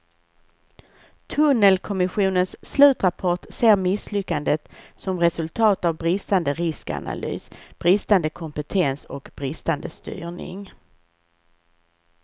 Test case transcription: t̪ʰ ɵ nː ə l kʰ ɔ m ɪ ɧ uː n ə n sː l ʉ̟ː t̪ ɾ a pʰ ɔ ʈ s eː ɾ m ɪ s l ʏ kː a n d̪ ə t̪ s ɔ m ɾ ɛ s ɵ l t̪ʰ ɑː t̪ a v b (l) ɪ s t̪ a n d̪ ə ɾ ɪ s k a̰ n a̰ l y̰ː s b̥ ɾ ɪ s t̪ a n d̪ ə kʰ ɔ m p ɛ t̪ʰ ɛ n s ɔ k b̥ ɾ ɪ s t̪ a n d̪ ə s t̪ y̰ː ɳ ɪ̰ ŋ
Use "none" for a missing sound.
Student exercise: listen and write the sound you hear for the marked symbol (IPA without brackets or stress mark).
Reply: ɾ